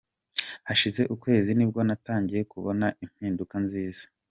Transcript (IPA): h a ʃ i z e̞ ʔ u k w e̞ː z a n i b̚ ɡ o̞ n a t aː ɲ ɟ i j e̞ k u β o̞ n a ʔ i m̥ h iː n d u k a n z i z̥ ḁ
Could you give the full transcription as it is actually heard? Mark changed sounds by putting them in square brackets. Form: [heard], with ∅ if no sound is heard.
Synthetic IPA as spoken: h a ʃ i z e̞ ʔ u k w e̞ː z [i] n i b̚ ɡ o̞ n a t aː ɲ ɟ i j e̞ k u β o̞ n a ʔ i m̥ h iː n d u k a n z [iː] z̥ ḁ